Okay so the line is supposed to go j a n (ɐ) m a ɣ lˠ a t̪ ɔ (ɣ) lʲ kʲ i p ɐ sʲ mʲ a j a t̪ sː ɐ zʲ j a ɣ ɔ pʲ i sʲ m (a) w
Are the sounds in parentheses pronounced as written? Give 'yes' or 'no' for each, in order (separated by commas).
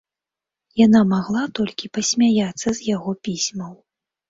no, no, no